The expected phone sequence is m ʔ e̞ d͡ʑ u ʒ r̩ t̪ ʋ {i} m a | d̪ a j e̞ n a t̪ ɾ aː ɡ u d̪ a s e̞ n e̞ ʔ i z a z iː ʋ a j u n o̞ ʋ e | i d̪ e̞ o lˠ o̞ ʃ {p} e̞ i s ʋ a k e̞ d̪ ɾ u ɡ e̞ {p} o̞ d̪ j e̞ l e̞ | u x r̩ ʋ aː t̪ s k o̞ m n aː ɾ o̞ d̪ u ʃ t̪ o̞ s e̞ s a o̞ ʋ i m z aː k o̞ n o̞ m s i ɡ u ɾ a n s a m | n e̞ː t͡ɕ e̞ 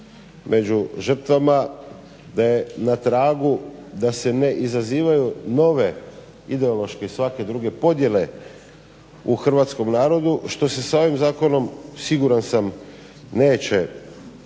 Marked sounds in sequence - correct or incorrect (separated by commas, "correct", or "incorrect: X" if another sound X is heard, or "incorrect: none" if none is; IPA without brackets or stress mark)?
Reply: incorrect: a, incorrect: k, correct